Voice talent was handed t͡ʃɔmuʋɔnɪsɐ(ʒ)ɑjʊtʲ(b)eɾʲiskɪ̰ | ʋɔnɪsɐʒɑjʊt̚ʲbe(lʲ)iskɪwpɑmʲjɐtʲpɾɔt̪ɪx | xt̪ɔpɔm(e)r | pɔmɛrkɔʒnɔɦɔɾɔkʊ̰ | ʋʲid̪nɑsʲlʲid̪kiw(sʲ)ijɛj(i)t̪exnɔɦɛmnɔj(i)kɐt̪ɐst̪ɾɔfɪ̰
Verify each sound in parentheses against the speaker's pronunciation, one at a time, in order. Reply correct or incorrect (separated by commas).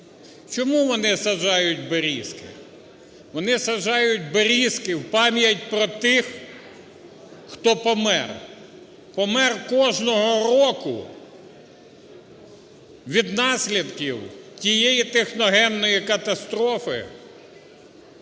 correct, correct, incorrect, incorrect, incorrect, correct, correct